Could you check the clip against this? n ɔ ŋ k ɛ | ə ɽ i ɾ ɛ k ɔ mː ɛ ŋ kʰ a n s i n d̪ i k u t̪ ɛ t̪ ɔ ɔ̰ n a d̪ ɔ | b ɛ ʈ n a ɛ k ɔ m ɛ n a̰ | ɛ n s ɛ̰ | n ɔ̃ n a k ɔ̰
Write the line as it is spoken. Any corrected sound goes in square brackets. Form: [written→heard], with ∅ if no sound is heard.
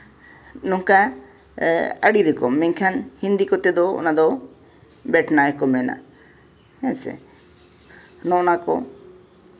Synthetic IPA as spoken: n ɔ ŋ k [ɛ→a] | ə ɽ i ɾ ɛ k ɔ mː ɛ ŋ kʰ a n [s→h] i n d̪ i k [u→ɔ] t̪ ɛ [t̪→d̪] ɔ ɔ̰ n a d̪ ɔ | b ɛ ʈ n a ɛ k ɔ m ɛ n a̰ | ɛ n s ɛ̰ | n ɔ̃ n a k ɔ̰